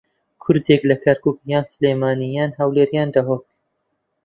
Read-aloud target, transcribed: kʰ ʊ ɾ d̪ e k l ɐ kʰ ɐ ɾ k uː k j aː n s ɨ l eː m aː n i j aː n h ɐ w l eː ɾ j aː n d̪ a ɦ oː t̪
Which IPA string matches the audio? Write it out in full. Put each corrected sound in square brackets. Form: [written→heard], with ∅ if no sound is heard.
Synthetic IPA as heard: kʰ ʊ ɾ d̪ e k l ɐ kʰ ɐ ɾ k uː k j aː n s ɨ l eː m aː n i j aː n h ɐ w l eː ɾ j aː n d̪ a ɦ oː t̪

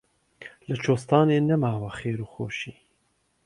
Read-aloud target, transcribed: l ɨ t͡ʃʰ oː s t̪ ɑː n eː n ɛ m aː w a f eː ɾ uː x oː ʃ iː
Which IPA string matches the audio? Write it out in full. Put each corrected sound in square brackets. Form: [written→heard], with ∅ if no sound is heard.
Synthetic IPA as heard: l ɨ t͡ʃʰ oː s t̪ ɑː n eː n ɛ m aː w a [f→x] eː ɾ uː x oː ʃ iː

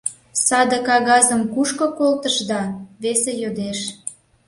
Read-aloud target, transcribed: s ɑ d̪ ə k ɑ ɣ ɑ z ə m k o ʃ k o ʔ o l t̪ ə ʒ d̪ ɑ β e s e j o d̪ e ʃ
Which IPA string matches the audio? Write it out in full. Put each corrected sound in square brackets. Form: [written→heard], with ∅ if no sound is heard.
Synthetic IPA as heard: s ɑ d̪ ə k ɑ ɣ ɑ z ə m k [o→u] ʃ k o [ʔ→k] o l t̪ ə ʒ d̪ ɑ β e s e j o d̪ e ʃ

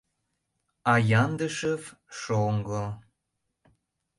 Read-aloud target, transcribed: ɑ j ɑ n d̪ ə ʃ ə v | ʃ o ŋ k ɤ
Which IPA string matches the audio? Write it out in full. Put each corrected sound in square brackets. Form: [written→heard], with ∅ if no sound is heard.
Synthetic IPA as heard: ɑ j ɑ n d̪ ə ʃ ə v | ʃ o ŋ [k→ɡ] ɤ

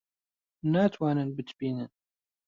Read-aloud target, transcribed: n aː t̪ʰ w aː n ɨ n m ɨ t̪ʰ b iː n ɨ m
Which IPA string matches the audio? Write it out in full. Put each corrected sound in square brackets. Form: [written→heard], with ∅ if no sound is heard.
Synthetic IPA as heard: n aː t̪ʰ w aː n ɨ n [m→b] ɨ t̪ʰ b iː n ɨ [m→n]

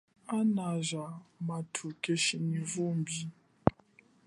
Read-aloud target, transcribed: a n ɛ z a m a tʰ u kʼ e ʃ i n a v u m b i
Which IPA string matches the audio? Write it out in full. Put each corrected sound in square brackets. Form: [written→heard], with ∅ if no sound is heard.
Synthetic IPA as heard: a n [ɛ→a] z a m a tʰ u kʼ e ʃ i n [a→i] v u m b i

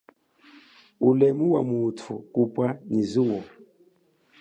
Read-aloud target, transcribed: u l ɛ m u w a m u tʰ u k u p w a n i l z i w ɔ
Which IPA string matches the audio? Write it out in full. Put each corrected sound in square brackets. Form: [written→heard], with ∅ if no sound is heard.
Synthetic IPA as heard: u l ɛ m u w a m u tʰ u k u p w a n i [l→∅] z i w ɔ

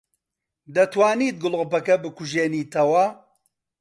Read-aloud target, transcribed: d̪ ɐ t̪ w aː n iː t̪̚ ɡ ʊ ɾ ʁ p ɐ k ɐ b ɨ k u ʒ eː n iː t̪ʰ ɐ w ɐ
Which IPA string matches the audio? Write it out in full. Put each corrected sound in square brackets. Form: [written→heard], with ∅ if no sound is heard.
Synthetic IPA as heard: d̪ ɐ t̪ w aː n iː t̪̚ ɡ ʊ [ɾ→l] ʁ p ɐ k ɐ b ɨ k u ʒ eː n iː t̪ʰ ɐ w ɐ

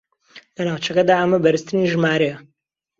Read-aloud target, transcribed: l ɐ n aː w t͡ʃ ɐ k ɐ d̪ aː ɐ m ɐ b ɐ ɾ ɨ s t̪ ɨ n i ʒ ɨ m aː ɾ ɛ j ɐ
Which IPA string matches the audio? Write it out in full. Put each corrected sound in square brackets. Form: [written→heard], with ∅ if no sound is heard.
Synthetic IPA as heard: l ɐ n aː w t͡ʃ ɐ k ɐ d̪ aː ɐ m ɐ b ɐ ɾ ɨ s t̪ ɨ n i ʒ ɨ m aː ɾ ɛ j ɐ

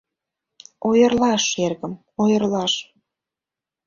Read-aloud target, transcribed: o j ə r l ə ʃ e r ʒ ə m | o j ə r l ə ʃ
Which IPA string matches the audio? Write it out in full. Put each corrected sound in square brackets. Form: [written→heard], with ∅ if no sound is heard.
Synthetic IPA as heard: o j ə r l [ə→ɑ] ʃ e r [ʒ→ɣ] ə m | o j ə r l [ə→ɑ] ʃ

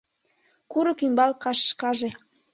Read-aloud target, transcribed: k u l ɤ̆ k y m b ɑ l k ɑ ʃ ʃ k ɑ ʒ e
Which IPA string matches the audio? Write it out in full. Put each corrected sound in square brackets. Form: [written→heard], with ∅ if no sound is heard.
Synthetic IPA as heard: k u [l→ɾ] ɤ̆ k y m b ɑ l k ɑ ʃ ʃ k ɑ ʒ e

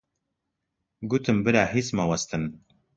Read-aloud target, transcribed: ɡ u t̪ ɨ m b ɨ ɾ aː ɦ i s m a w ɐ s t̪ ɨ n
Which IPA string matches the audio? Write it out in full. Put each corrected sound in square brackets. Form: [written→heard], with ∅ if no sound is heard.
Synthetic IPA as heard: ɡ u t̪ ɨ m b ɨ ɾ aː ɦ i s m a w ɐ s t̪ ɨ n

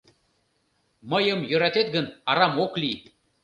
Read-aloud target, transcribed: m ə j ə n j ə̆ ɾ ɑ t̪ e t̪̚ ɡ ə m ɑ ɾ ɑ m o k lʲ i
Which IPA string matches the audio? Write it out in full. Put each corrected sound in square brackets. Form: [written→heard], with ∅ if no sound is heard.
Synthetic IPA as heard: m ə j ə [n→m] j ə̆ ɾ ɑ t̪ e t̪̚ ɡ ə [m→n] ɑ ɾ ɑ m o k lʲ i

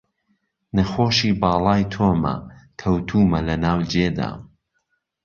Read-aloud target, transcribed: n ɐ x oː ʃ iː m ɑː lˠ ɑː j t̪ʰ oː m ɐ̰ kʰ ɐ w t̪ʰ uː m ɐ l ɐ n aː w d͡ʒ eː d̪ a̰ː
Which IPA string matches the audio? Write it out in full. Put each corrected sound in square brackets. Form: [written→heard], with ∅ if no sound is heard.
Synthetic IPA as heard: n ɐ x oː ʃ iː [m→b] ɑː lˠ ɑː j t̪ʰ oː m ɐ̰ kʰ ɐ w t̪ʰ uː m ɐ l ɐ n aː w d͡ʒ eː d̪ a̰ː

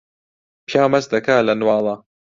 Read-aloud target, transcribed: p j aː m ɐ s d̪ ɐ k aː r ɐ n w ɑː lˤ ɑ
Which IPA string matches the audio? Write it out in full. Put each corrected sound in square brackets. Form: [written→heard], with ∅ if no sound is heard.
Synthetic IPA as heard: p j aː m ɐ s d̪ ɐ k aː [r→l] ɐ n w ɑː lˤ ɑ

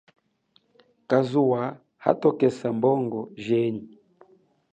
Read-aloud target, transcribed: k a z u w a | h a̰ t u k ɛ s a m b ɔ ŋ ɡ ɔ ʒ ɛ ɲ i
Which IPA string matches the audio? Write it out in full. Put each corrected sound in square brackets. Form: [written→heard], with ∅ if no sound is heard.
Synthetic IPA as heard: k a z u w a | h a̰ t [u→ɔ] k ɛ s a m b ɔ ŋ ɡ ɔ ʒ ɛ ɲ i

